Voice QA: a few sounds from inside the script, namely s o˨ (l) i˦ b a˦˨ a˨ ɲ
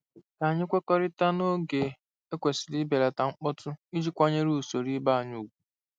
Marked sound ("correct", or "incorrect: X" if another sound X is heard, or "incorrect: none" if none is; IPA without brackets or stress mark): incorrect: ɾ